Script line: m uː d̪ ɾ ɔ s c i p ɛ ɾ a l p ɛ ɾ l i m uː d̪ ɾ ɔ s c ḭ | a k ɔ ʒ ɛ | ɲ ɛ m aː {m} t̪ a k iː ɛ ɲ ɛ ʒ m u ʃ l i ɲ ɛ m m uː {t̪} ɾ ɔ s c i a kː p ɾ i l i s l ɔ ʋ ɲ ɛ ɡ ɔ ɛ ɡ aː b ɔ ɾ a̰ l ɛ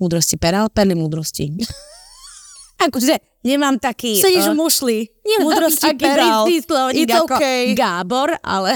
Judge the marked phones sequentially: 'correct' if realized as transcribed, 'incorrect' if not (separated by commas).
correct, incorrect